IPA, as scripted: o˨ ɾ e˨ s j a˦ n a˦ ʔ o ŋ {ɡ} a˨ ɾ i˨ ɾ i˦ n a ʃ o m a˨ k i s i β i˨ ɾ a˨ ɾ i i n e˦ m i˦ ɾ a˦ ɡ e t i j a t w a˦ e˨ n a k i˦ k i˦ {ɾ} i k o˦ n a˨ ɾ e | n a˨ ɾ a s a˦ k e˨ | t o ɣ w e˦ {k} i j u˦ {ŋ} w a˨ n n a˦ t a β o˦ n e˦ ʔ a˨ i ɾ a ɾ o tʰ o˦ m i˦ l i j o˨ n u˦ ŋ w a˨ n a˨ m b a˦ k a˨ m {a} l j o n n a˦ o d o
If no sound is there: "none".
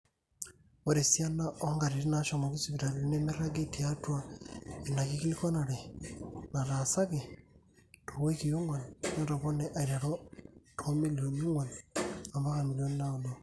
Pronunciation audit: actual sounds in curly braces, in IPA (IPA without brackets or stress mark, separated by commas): ɡ, l, k, ŋ, i